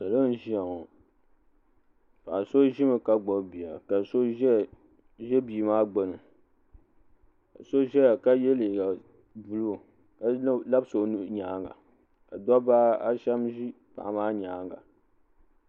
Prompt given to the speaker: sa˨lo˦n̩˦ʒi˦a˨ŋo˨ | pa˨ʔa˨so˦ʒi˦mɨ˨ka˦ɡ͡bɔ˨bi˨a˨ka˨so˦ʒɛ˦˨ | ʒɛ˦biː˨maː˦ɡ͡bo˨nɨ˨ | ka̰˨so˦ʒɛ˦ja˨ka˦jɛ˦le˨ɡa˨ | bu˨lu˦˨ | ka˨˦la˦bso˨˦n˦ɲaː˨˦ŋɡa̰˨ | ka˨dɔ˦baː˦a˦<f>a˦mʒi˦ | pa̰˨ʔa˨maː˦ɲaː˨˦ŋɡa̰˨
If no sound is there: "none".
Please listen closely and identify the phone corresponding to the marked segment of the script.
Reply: ʃ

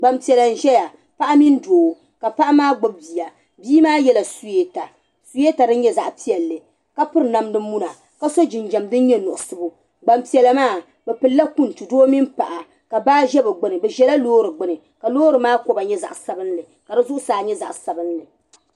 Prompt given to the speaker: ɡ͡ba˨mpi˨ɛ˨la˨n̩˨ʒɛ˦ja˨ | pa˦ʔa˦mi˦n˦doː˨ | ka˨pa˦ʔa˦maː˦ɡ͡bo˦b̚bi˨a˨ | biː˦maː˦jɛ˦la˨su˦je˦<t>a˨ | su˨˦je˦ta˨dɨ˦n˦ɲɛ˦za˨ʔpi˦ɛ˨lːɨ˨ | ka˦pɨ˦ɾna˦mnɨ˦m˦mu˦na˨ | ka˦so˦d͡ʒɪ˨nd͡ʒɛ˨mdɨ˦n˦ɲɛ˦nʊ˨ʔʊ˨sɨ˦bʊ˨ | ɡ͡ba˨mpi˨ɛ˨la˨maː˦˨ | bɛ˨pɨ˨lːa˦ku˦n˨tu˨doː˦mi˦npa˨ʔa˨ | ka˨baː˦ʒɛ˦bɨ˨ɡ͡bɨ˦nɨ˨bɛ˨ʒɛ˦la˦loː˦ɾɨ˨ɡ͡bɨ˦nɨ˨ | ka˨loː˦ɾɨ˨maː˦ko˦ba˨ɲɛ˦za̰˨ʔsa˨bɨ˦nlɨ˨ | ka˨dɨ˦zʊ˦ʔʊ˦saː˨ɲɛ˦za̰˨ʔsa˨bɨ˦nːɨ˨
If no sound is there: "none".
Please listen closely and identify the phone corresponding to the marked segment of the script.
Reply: t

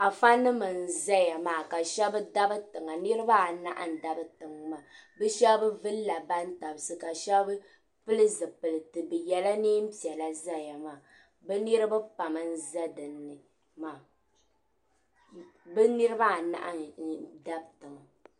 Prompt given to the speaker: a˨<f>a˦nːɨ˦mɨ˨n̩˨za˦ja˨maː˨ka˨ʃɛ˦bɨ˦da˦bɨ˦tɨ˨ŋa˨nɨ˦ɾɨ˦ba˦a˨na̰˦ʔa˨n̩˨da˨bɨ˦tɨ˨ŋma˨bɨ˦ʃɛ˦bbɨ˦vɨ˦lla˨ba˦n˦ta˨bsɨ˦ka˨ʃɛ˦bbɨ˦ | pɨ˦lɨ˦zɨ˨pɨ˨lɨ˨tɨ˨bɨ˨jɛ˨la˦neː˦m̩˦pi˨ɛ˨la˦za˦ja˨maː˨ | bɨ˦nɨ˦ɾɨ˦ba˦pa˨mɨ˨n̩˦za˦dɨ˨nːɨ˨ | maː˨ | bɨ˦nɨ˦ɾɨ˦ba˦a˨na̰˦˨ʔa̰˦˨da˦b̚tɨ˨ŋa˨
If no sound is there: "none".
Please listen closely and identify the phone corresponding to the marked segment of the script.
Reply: f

